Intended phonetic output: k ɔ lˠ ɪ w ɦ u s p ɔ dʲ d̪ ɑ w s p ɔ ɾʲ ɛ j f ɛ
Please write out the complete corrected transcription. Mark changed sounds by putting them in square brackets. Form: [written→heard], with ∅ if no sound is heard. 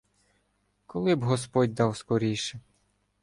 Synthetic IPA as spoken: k ɔ lˠ ɪ [w→b] ɦ [u→ɔ] s p ɔ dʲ d̪ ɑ w s [p→k] ɔ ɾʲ [ɛ→i] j [f→ʃ] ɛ